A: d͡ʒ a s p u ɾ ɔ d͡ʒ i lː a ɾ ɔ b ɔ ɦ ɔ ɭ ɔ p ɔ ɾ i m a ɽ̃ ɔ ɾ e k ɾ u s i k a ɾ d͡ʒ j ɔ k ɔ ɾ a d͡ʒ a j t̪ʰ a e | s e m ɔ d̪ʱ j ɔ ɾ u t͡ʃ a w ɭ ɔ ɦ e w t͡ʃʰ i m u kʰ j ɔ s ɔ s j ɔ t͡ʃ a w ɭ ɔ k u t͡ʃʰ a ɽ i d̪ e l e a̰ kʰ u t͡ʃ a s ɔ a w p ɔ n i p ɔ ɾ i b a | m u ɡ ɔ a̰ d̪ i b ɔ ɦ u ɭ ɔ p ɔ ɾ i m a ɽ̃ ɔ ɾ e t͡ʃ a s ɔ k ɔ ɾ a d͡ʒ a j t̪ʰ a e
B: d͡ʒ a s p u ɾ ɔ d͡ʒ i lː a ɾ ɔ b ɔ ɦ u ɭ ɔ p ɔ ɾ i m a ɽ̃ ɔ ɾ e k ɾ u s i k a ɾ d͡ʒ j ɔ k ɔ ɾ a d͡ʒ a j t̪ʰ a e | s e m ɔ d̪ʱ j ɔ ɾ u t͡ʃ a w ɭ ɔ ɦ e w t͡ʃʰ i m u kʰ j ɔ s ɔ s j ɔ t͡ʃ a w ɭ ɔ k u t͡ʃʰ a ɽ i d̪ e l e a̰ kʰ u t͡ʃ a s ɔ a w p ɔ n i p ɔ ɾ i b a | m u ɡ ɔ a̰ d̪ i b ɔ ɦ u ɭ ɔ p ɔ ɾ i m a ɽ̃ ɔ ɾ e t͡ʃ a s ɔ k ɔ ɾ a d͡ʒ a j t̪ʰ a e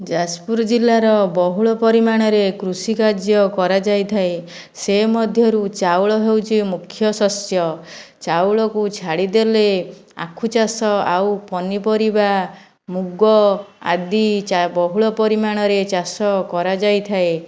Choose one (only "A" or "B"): B